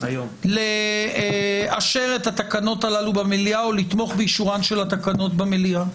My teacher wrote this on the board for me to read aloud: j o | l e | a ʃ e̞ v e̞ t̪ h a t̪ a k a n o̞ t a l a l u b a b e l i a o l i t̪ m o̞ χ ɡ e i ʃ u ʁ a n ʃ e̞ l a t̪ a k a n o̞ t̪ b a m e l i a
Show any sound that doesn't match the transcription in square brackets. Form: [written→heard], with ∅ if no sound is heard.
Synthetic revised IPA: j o | l e | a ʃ e̞ [v→ʁ] e̞ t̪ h a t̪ a k a n o̞ t a l a l u b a [b→m] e l i a o l i t̪ m o̞ χ [ɡ→b] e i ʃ u ʁ a n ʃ e̞ l a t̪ a k a n o̞ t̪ b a m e l i a